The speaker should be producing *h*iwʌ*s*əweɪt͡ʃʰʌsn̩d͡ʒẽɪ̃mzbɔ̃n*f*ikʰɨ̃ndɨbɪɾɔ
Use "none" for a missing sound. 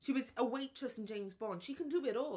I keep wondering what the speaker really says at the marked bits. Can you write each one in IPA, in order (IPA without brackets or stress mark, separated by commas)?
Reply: ʃ, z, ʃ